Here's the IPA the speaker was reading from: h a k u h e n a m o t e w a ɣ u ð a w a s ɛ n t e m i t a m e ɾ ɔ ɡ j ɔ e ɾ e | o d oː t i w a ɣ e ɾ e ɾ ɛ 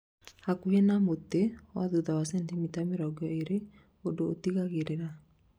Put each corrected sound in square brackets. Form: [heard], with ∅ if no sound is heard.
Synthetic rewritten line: h a k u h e n a m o t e w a [ð] u ð a w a s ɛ n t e m i t a m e ɾ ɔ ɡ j ɔ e ɾ e | o d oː t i [ɣ] a ɣ e ɾ e ɾ [a]